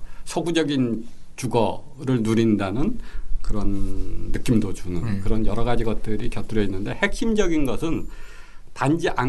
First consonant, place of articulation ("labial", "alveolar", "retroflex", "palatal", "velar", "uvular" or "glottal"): alveolar